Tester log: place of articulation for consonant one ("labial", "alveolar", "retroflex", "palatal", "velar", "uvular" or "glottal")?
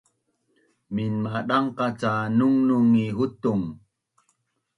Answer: labial